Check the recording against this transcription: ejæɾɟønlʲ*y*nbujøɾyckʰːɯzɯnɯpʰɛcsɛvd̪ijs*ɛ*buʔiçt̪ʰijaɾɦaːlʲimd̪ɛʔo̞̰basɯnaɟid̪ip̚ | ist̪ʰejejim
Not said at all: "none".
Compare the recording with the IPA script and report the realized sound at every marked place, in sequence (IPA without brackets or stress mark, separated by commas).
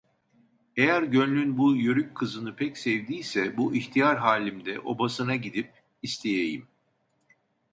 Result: y, ɛ